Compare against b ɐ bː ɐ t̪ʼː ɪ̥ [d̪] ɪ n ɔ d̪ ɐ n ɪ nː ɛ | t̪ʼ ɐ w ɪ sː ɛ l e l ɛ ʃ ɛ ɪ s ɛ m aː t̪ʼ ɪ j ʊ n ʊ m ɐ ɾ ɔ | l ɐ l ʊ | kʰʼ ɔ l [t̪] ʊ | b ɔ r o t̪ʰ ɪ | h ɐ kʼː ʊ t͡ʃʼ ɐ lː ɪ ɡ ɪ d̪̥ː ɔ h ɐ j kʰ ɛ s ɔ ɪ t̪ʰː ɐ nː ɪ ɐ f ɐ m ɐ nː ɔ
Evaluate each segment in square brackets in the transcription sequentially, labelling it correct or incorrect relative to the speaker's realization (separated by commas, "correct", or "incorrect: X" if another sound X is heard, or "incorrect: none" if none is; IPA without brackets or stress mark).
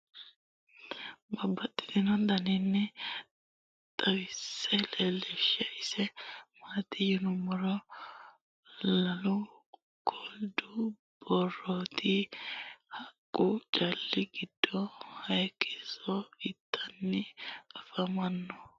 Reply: correct, incorrect: d̪